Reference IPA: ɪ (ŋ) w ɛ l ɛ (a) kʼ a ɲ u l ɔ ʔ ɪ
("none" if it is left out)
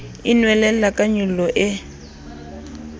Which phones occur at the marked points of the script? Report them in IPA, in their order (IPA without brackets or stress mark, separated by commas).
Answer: n, a